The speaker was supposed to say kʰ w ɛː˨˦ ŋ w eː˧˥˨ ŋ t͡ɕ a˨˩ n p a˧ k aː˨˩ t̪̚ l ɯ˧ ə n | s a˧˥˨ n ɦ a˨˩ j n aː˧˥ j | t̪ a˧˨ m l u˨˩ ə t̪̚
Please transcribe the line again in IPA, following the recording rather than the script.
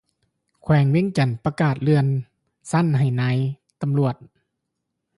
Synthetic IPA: kʰ w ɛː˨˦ ŋ w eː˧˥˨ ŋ t͡ɕ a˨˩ n p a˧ k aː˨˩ t̪̚ l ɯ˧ ə n | s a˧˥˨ n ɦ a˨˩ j n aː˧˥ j | t̪ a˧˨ m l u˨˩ ə t̪̚